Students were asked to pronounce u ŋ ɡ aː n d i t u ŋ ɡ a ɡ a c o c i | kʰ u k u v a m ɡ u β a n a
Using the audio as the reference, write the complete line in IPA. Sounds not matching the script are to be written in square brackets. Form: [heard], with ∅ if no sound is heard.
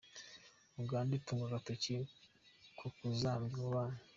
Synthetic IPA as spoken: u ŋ ɡ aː n d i t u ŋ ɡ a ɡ a [t] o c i | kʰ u k u [z] a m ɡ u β a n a